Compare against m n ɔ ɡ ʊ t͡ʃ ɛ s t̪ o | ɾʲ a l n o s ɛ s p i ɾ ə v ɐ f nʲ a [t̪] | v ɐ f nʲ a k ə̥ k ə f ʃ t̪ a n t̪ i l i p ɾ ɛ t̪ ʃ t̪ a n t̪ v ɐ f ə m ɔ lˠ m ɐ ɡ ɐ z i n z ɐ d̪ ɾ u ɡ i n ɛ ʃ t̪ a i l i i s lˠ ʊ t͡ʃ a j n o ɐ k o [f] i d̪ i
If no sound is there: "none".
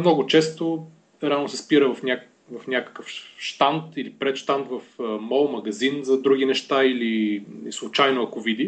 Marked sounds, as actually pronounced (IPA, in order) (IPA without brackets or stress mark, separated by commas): none, v